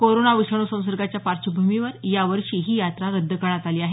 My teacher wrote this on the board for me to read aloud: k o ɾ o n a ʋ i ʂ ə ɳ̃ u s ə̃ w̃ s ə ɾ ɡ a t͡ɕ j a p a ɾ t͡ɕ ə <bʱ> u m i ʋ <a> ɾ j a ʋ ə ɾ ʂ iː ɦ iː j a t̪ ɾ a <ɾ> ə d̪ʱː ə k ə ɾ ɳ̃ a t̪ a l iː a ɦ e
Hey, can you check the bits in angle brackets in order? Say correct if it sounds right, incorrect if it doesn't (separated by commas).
correct, incorrect, correct